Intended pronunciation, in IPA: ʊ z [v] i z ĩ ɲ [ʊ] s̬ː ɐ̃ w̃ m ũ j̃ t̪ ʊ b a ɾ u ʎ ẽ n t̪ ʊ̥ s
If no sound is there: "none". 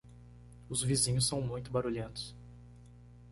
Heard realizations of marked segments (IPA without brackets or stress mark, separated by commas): v, ʊ